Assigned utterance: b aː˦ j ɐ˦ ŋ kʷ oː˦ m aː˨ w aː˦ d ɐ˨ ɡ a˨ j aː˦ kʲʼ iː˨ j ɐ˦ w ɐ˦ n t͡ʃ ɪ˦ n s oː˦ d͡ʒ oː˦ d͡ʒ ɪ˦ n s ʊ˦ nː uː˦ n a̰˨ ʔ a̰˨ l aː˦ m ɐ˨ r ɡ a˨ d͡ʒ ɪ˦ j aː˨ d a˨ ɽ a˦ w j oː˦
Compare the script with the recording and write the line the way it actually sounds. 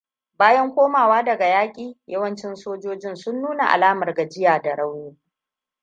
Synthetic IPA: b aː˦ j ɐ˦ ŋ kʷ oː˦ m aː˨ w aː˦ d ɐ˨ ɡ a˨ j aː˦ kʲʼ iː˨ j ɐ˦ w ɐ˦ n t͡ʃ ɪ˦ n s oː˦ d͡ʒ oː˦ d͡ʒ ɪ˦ n s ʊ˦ nː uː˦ n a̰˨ ʔ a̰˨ l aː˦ m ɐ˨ r ɡ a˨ d͡ʒ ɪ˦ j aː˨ d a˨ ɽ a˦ w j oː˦